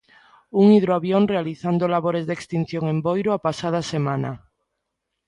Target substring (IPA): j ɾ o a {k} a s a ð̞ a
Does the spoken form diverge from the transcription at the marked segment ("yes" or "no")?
yes